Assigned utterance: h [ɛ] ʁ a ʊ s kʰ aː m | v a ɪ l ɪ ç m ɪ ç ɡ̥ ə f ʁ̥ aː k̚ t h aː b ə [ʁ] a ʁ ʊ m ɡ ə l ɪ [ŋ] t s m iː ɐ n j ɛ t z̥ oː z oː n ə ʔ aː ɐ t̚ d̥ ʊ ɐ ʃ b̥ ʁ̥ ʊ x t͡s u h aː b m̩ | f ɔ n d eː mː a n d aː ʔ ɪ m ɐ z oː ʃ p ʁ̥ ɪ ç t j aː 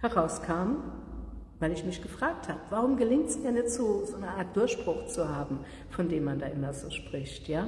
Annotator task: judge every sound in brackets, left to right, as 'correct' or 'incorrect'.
correct, incorrect: v, correct

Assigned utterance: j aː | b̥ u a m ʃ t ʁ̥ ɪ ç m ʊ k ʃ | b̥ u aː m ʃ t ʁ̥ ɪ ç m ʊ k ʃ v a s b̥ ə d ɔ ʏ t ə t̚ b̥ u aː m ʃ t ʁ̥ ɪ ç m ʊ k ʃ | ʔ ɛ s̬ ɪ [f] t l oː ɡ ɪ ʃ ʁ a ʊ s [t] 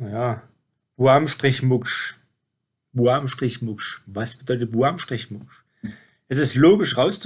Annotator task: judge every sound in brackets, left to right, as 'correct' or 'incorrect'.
incorrect: s, incorrect: t͡s

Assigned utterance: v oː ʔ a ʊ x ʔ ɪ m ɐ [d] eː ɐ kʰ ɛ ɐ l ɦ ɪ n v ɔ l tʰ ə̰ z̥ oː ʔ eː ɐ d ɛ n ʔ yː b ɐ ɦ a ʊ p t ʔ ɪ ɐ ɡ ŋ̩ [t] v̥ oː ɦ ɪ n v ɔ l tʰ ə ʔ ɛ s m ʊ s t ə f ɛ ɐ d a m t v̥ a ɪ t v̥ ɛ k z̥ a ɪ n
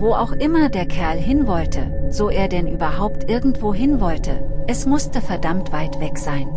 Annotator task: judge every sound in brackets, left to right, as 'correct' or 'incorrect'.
correct, correct

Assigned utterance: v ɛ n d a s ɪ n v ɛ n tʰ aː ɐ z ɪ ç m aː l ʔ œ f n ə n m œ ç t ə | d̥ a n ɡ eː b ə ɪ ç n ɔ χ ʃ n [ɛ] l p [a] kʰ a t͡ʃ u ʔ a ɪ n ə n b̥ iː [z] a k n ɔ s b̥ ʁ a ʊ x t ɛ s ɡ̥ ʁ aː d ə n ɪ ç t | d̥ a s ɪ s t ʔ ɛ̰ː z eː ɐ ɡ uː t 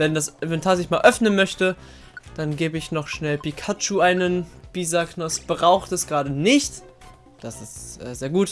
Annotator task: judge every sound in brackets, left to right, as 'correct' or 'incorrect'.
correct, incorrect: i, correct

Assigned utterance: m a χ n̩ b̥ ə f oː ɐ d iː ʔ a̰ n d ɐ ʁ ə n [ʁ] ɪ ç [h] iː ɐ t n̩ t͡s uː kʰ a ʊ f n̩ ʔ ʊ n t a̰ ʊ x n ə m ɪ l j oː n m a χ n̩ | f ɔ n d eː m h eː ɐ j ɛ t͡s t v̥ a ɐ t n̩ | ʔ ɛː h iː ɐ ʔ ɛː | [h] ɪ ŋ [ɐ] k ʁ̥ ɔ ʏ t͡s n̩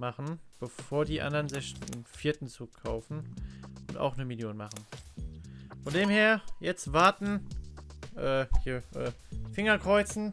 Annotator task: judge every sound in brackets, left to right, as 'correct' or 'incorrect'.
incorrect: z, incorrect: f, incorrect: f, correct

